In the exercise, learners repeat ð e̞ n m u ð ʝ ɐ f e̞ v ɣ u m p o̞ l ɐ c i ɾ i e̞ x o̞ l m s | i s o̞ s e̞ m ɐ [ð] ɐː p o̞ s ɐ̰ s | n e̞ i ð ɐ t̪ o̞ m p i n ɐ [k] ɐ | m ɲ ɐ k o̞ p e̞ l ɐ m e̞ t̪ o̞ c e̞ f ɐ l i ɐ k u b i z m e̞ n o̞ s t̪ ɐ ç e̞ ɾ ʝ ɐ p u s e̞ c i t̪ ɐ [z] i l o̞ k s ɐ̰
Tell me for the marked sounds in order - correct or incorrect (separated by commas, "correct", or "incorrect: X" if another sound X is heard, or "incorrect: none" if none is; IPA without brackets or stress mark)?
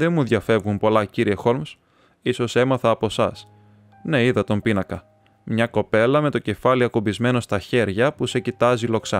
incorrect: θ, correct, correct